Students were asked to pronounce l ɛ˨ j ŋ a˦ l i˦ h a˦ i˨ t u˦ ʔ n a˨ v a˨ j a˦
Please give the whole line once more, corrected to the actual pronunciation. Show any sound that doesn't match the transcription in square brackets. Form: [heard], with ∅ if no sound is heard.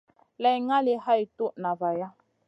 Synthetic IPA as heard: l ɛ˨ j ŋ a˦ l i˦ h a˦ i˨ t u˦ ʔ n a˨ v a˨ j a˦